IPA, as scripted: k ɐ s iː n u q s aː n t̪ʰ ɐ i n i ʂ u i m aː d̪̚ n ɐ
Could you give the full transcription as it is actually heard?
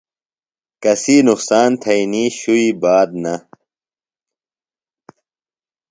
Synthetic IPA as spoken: k ɐ s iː n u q s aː n t̪ʰ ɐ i n i ɕ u i b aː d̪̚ n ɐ